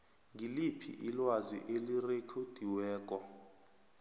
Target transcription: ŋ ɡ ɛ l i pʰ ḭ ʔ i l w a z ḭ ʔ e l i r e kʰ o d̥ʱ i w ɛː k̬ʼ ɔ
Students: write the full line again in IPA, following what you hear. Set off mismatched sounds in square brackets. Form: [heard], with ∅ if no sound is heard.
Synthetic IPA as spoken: ŋ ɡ [i] l i pʰ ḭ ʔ i l w a z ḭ ʔ e l i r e kʰ o d̥ʱ i w ɛː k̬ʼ ɔ